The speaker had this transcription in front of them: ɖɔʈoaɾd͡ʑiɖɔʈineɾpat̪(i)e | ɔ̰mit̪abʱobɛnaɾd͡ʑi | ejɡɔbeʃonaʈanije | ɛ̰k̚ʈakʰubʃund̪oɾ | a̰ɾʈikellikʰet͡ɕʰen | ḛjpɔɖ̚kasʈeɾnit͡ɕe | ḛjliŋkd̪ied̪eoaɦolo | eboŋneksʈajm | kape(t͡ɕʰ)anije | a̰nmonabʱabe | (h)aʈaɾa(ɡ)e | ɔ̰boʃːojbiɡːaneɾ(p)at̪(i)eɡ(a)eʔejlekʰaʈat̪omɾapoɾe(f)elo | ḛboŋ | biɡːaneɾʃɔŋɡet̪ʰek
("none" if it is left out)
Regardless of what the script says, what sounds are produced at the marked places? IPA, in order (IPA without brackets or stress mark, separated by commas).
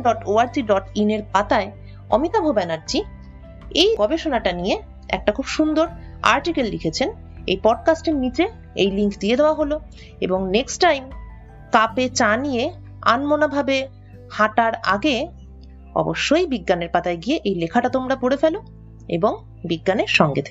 a, t͡ɕ, h, ɡ, p, a, i, f